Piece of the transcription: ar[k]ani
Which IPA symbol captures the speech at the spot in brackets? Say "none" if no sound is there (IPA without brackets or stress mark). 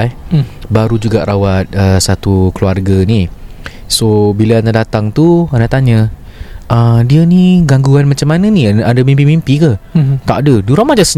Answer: ɡ